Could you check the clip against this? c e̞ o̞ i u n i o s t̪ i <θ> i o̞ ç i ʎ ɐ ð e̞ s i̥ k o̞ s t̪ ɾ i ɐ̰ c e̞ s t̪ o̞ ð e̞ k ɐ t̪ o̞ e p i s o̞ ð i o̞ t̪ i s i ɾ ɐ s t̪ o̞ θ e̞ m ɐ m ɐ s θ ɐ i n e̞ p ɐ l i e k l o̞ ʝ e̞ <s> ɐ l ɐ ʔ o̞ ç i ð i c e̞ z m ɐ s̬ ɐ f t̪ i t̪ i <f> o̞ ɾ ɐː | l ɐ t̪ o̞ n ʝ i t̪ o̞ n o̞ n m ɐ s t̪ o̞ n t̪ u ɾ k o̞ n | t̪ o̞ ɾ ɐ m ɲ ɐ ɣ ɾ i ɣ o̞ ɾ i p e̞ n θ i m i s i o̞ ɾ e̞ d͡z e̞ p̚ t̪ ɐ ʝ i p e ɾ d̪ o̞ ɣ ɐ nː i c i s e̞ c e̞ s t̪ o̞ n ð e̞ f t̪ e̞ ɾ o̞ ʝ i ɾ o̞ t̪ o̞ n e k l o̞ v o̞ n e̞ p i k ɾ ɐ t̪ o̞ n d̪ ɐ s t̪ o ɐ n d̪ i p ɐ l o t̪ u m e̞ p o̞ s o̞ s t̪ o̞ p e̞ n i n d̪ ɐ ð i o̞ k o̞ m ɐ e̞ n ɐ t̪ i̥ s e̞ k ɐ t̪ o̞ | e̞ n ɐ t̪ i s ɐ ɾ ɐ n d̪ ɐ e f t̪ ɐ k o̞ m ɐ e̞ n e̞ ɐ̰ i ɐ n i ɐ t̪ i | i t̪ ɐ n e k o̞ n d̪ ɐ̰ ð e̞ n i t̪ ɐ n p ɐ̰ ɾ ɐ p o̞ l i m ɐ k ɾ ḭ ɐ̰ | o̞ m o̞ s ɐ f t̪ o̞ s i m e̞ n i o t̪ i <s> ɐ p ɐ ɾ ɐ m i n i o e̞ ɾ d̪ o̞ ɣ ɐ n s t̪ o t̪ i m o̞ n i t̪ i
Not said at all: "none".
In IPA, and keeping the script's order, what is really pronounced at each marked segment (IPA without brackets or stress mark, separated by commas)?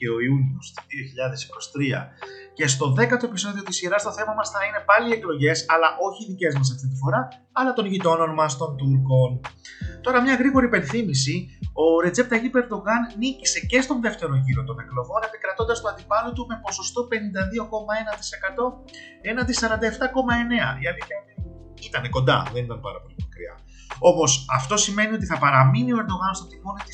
ð, s, f, θ